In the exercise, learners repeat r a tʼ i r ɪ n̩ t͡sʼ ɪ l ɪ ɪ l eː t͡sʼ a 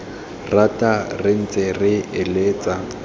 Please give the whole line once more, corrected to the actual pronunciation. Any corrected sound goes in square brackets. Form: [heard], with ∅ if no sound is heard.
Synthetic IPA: r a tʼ [a] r ɪ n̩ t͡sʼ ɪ [r] ɪ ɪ l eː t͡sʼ a